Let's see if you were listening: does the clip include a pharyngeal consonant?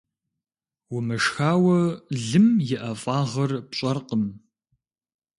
no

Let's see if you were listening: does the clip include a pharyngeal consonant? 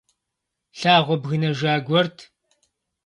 no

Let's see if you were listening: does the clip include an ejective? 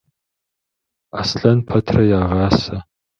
no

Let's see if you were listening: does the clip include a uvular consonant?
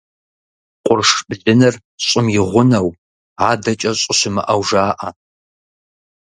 yes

